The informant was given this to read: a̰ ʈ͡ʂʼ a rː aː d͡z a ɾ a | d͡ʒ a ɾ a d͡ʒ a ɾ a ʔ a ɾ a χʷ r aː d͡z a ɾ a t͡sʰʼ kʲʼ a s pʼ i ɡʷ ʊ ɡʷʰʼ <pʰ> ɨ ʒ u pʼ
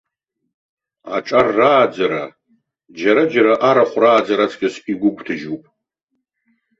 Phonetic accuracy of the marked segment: incorrect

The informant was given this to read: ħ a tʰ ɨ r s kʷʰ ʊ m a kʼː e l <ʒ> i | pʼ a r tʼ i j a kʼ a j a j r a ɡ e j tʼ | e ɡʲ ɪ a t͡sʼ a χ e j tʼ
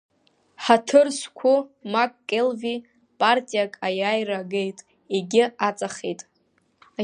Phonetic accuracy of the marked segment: incorrect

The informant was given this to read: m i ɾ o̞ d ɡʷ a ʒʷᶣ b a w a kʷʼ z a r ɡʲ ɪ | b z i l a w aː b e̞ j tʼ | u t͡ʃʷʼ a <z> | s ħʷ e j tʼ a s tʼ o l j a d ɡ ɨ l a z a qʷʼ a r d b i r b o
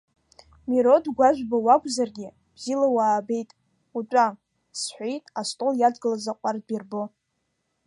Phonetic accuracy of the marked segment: incorrect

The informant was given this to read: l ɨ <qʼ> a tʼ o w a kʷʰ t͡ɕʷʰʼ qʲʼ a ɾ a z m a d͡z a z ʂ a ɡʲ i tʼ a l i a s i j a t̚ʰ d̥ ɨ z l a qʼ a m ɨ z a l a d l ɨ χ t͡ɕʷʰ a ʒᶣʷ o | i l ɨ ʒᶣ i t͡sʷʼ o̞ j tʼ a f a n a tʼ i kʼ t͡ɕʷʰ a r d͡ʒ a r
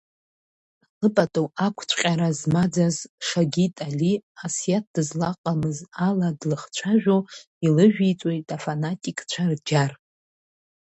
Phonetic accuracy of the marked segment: incorrect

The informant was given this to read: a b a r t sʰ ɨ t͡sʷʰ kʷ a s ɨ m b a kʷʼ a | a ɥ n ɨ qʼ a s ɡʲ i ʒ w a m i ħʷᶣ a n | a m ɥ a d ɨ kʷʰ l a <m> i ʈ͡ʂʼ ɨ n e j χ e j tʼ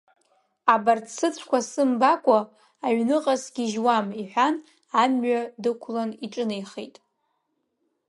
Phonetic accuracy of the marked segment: incorrect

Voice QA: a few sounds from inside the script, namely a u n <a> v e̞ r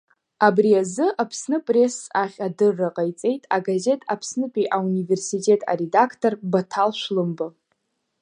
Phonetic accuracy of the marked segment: incorrect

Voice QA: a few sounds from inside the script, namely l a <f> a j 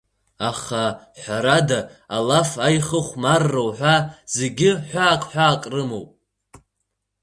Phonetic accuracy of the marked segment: correct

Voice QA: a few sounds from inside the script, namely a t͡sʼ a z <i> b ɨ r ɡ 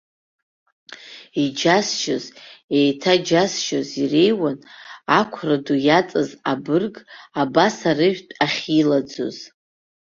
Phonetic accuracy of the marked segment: incorrect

